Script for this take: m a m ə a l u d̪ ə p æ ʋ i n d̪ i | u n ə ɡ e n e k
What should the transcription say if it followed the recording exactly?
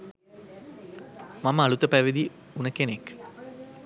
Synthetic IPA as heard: m a m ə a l u t̪ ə p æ ʋ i d̪ i | u n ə k e n e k